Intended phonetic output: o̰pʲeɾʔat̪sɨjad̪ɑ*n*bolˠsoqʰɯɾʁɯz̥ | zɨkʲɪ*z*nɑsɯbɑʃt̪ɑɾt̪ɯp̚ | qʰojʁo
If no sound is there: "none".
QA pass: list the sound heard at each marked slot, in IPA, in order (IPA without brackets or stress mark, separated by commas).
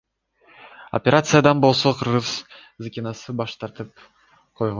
n, none